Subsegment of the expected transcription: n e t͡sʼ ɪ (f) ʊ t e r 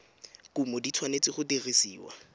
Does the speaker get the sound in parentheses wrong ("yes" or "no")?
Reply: yes